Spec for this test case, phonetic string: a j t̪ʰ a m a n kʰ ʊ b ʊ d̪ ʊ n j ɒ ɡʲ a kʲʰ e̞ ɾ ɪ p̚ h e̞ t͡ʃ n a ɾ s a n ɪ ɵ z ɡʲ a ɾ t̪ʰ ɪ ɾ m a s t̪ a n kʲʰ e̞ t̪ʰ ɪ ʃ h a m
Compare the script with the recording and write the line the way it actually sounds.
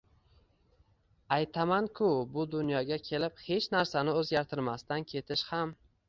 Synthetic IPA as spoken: a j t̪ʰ a m a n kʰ ʊ b ʊ d̪ ʊ n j ɒ ɡʲ a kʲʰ e̞ l ɪ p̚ h e̞ t͡ʃ n a ɾ s a n ɪ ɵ z ɡʲ a ɾ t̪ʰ ɪ ɾ m a s t̪ a n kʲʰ e̞ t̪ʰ ɪ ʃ h a m